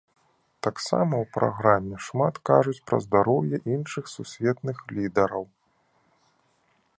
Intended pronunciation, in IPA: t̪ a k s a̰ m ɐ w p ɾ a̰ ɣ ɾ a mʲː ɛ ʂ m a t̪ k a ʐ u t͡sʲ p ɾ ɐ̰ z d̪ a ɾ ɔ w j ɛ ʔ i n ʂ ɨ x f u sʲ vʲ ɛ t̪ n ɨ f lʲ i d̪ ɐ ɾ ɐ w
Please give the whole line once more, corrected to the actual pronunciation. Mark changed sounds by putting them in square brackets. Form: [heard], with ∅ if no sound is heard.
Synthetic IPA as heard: t̪ a k s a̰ m ɐ w p ɾ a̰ ɣ ɾ a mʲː ɛ ʂ m a t̪ k a ʐ u t͡sʲ p ɾ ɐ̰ z d̪ a ɾ ɔ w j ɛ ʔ i n ʂ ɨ x [s] u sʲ vʲ ɛ t̪ n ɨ [x] lʲ i d̪ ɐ ɾ ɐ w